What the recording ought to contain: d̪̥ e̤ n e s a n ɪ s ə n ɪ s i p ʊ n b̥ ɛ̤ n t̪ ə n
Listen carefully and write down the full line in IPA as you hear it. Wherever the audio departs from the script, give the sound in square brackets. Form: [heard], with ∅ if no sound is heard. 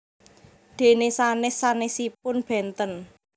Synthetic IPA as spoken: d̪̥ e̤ n e s a n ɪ s [a] n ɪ s i p ʊ n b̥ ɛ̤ n t̪ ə n